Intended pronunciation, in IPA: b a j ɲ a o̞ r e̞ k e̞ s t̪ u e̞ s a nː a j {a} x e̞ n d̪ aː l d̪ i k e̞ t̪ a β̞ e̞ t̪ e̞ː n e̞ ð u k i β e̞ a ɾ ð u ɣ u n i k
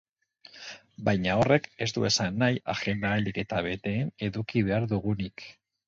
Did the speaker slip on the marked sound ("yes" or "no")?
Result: no